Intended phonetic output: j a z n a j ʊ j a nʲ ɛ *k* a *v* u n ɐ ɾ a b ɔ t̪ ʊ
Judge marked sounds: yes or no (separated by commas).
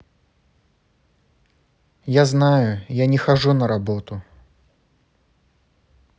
no, no